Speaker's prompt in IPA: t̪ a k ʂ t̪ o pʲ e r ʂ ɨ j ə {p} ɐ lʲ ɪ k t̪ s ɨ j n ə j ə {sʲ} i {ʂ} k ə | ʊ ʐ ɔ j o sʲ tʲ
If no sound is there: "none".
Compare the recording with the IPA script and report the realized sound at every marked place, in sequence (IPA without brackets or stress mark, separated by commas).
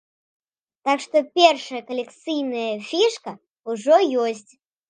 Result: k, fʲ, ʂ